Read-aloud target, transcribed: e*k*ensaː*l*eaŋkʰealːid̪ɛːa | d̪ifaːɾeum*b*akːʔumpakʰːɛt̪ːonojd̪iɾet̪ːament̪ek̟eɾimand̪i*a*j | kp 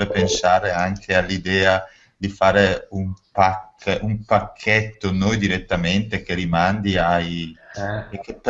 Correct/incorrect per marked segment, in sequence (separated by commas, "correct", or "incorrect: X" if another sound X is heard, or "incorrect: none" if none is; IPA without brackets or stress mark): incorrect: p, incorrect: ɾ, incorrect: p, correct